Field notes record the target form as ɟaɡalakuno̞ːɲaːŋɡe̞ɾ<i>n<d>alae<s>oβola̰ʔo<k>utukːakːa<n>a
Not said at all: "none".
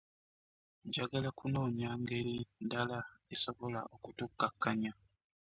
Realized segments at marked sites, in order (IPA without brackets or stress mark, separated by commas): i, d, s, k, ɲ